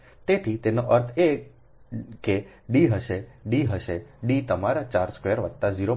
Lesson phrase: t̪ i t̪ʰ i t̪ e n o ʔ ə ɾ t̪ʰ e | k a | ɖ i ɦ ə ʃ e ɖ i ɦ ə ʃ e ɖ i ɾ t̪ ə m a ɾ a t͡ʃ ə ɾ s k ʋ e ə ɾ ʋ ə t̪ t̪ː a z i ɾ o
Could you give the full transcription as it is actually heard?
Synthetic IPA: t̪ e t̪ʰ i t̪ e n o ʔ ə ɾ t̪ʰ e | k e | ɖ i ɦ ə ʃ e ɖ i ɦ ə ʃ e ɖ i t̪ ə m a ɾ a t͡ʃ a ɾ s k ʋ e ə ɾ ʋ ə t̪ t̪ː a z i ɾ o